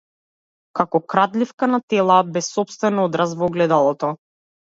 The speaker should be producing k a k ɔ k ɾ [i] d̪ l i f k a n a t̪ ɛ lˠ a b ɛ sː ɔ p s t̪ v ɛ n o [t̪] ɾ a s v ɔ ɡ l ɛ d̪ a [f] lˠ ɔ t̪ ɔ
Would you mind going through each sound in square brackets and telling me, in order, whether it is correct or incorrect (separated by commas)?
incorrect, incorrect, incorrect